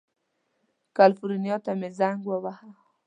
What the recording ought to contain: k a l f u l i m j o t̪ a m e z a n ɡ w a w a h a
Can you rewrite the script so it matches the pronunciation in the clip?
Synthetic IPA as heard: k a l f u ɾ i n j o t̪ a m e z a ŋ ɡ w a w a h a